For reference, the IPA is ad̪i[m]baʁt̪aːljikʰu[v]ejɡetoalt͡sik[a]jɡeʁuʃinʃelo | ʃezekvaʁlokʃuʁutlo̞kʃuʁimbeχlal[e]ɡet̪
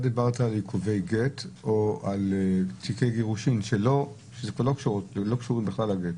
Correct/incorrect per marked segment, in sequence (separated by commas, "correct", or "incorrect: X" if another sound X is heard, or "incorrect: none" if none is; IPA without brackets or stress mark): incorrect: none, correct, incorrect: e, incorrect: a